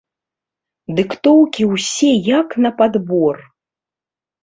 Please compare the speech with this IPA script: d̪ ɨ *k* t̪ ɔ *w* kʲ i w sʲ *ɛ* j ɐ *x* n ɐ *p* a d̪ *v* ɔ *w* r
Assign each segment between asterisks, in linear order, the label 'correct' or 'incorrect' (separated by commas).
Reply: correct, correct, correct, incorrect, correct, incorrect, incorrect